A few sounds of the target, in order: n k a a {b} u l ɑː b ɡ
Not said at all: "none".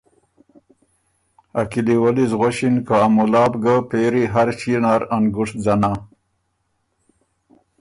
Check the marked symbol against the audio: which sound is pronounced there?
m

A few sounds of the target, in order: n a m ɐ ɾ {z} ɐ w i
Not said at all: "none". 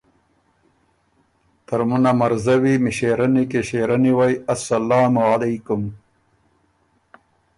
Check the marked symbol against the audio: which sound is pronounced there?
z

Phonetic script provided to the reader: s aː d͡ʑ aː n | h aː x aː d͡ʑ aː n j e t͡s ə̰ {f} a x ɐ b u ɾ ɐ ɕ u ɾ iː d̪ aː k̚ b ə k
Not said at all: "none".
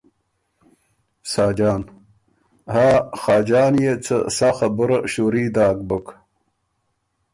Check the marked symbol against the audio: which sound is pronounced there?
s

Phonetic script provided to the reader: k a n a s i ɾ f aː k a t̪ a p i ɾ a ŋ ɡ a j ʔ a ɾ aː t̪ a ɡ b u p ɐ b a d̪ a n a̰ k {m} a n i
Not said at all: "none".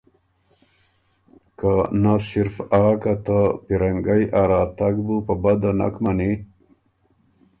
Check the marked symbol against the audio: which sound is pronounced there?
m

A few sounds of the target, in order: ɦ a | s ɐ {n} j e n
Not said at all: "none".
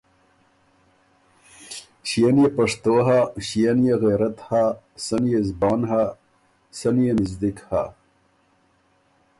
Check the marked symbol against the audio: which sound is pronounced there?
n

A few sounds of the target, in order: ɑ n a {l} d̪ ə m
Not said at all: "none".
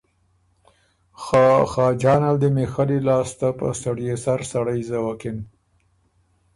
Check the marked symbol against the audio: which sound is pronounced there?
l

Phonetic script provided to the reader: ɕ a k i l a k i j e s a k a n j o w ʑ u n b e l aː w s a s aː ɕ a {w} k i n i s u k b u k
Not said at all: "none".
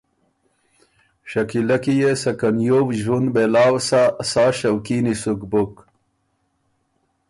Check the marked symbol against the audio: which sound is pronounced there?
w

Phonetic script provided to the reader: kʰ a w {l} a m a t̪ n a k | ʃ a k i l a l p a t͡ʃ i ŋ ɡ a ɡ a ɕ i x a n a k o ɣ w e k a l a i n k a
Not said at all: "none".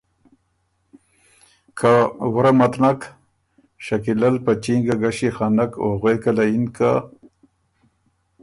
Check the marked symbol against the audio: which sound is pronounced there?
ɾ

